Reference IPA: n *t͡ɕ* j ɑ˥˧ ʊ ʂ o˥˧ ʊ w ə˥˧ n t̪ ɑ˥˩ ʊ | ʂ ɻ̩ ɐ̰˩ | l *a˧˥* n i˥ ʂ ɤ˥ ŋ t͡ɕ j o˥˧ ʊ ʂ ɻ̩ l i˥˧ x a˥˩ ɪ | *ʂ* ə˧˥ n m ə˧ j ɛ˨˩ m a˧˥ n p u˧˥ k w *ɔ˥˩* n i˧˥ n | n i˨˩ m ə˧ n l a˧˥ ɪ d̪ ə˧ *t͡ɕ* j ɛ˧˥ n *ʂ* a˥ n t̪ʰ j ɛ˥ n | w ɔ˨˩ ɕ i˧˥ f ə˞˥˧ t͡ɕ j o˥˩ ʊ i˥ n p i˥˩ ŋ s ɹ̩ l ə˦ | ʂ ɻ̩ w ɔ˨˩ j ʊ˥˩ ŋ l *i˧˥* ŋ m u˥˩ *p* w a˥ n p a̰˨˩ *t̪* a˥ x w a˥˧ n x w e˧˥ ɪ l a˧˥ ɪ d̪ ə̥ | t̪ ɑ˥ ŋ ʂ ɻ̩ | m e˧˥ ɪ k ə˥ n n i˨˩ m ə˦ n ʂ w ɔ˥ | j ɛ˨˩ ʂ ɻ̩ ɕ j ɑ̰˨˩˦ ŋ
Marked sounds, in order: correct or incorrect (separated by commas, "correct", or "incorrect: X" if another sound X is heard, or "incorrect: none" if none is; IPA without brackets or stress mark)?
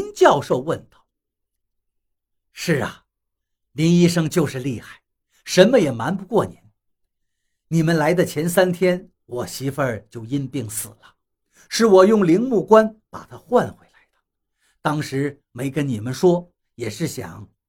correct, incorrect: i˧˥, correct, correct, incorrect: t͡ɕʰ, incorrect: s, correct, incorrect: k, incorrect: t̪ʰ